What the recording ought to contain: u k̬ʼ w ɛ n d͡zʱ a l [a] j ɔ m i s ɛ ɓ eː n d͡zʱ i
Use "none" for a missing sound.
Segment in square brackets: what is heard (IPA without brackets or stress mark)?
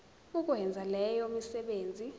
ɛ